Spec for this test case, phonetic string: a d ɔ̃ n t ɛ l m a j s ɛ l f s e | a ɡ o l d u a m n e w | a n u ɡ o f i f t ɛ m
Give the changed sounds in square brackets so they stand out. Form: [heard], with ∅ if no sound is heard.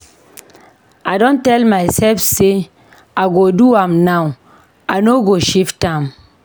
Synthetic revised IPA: a d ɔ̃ n t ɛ l m a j s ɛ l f s e | a ɡ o [∅] d u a m n [a] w | a n [o] ɡ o [ʃ] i f t [a] m